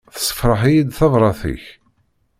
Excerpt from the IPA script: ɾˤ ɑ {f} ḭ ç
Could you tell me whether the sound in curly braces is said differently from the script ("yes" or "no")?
yes